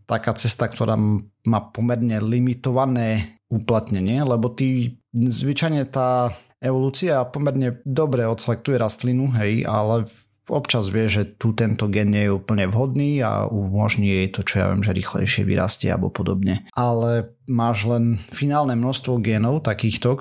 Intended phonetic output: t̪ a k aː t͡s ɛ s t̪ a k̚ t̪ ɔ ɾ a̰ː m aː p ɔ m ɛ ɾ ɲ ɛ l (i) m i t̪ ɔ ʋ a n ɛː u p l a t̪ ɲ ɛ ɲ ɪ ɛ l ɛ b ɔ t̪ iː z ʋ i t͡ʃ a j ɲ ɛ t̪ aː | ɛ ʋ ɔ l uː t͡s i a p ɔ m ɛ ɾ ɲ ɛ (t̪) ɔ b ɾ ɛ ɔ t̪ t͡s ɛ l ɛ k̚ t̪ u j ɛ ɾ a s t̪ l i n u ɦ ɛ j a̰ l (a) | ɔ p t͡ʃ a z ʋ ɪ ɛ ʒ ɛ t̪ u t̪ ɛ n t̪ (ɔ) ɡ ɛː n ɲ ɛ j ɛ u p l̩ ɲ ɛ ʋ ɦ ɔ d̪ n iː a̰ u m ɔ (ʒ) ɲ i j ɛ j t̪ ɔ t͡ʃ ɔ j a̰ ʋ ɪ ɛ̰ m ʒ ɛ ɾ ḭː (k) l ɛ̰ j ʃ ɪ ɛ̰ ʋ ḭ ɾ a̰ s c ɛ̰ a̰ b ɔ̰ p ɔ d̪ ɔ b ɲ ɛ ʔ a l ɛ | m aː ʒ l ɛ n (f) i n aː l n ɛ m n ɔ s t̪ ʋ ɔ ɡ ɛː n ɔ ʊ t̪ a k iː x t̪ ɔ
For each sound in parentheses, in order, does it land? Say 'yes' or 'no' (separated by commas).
yes, no, no, yes, yes, no, yes